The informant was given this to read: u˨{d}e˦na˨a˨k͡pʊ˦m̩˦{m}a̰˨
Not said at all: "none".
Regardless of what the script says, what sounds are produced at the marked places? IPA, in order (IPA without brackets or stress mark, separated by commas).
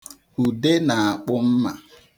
d, m